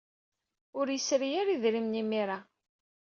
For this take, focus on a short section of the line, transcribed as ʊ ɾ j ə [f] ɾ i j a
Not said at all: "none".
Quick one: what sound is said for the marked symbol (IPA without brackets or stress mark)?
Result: s